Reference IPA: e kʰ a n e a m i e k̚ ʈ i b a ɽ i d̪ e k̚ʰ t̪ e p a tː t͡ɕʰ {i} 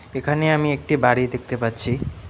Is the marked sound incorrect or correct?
correct